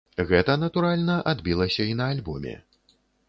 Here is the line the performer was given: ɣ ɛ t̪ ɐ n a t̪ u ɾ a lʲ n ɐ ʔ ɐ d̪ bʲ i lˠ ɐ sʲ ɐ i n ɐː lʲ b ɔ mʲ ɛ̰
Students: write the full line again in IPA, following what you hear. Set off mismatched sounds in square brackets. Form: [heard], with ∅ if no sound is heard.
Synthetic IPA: ɣ ɛ t̪ ɐ n [ɐ] t̪ u ɾ a lʲ n ɐ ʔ [a] d̪ bʲ i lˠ ɐ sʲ ɐ i n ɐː lʲ b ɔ mʲ ɛ̰